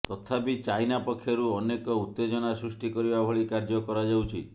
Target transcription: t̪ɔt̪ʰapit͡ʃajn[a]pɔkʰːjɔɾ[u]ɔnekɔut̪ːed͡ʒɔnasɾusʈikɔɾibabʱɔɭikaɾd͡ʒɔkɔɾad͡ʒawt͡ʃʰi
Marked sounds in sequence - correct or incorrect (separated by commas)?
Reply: correct, correct